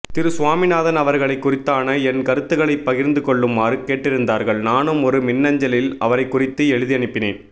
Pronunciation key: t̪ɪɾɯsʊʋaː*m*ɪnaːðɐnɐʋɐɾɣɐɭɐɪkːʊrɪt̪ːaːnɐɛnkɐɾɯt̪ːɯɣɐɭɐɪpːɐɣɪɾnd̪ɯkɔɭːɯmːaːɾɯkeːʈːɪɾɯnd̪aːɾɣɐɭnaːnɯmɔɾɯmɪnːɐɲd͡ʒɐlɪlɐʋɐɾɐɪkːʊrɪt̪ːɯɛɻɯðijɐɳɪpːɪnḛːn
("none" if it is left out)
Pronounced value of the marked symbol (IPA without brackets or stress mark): m